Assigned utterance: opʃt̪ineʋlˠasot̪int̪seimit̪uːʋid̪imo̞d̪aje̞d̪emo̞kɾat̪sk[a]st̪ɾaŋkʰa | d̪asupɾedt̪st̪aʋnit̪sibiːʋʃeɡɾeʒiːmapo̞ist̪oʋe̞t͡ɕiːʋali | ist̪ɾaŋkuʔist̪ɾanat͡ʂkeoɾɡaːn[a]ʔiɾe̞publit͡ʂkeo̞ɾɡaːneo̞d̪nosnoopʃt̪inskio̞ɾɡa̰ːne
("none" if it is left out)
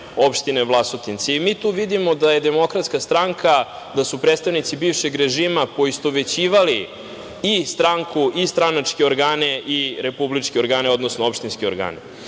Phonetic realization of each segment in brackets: a, e

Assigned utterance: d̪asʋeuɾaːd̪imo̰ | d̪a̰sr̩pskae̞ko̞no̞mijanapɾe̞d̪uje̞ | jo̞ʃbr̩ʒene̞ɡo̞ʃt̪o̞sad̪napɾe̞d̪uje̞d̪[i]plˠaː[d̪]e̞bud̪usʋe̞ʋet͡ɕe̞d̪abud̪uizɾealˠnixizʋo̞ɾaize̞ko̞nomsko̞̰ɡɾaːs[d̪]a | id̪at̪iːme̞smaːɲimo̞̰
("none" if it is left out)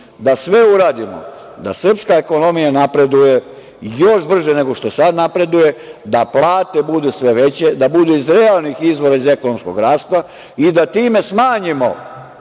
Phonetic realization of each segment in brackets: a, t̪, t̪

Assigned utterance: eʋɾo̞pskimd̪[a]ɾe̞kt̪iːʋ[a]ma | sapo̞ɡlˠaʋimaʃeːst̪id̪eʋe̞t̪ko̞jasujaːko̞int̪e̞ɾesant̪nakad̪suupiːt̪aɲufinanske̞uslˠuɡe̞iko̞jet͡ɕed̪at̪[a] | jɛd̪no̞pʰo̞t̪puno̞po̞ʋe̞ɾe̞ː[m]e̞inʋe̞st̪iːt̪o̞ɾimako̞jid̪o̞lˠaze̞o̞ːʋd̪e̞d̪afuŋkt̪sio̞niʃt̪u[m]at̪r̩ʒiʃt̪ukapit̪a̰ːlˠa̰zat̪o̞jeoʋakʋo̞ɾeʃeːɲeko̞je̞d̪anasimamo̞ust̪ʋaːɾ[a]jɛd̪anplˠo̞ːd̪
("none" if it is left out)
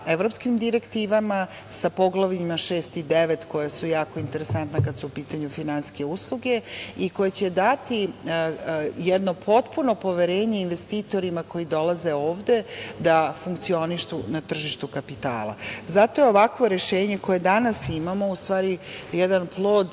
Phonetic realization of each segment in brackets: i, a, i, ɲ, n, i

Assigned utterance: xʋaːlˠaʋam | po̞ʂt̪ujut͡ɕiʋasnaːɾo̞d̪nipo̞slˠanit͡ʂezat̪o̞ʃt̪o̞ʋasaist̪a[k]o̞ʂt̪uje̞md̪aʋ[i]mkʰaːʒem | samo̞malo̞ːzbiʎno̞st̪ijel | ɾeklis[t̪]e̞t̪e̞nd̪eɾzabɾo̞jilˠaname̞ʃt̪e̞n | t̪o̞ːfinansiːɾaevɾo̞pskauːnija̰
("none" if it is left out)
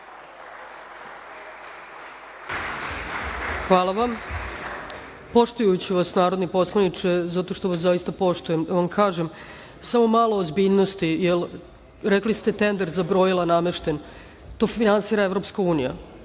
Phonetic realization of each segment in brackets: p, a, t̪

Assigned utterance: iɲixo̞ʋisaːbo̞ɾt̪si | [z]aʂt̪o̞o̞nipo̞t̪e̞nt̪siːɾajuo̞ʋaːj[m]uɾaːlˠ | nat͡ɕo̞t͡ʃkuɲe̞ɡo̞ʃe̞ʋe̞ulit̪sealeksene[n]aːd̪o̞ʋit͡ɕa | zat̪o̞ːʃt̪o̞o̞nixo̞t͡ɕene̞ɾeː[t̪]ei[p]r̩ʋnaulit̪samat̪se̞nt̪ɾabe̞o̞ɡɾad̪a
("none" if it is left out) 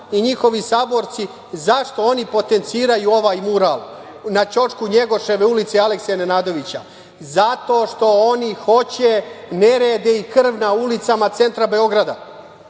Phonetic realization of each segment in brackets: z, m, n, d̪, k

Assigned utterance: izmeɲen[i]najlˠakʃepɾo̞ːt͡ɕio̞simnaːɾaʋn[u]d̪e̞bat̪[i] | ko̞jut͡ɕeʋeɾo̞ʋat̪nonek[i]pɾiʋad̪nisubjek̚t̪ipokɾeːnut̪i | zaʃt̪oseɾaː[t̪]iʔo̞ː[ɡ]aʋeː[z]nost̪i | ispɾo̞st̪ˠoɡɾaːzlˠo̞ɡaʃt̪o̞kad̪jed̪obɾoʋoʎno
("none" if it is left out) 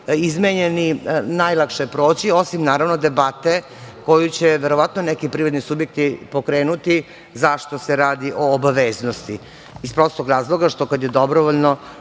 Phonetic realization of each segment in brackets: i, o, e, i, d̪, b, z

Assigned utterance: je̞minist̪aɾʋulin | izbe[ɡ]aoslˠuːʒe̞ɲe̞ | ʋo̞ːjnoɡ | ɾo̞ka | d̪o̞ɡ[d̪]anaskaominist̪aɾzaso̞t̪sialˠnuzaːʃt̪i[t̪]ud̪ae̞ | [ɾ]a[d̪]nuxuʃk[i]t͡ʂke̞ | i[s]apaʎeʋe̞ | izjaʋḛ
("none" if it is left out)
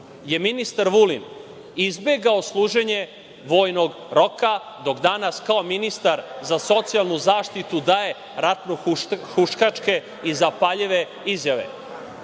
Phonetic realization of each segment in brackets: ɡ, d̪, t̪, ɾ, t̪, a, z

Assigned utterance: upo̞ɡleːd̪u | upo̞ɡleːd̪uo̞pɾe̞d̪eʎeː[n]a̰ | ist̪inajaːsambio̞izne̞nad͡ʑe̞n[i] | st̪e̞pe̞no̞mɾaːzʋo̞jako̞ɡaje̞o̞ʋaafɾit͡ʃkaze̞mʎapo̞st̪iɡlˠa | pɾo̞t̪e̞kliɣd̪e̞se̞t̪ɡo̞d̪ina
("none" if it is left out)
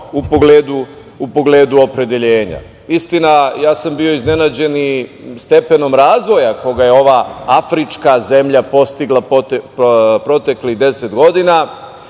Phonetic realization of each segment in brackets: ɲ, i

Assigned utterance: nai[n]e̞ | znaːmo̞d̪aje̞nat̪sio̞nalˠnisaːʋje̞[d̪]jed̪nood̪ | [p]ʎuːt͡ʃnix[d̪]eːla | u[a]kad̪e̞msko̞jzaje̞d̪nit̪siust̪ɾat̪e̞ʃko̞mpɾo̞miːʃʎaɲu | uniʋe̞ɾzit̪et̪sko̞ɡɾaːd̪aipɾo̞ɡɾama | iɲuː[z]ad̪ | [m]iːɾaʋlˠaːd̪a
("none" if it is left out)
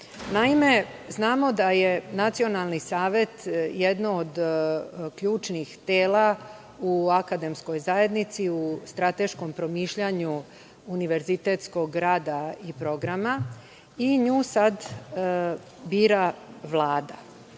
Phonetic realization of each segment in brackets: m, t̪, k, t̪, a, s, b

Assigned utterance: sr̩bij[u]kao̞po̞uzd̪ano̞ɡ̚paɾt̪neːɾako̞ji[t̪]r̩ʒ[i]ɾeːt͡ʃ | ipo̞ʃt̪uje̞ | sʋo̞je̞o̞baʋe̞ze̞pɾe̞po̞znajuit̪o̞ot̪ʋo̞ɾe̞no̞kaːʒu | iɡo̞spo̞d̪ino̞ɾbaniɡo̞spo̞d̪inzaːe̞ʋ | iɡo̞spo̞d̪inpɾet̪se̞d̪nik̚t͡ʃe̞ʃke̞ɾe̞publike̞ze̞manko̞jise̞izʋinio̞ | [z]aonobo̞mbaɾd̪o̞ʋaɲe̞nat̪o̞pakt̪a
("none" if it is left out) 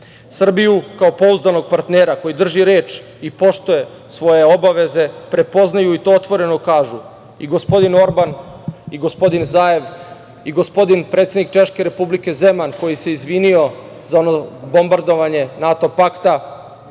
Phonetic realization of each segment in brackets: u, d̪, i, z

